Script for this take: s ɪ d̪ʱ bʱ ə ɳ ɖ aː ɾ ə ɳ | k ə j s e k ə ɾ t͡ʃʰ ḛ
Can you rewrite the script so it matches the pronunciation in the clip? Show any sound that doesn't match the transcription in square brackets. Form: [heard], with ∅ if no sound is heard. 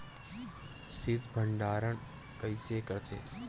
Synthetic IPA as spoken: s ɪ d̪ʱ bʱ ə ɳ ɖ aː ɾ ə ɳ | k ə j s e k ə ɾ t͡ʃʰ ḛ